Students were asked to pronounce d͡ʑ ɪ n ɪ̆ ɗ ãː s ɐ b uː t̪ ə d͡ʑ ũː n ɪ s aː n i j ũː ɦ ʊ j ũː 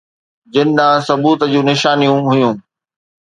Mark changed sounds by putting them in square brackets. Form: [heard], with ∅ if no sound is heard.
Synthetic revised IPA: d͡ʑ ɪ n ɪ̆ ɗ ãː s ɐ b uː t̪ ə d͡ʑ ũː n ɪ [ʃ] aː n i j [ũ] ɦ ʊ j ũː